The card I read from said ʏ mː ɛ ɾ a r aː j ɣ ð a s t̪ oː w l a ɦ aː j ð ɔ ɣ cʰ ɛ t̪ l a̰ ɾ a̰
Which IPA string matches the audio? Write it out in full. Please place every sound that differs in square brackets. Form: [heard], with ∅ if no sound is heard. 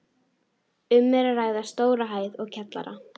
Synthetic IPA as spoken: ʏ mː ɛ ɾ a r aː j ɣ ð a s t̪ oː w [ɾ] a ɦ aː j ð ɔ ɣ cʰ ɛ t̪ l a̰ ɾ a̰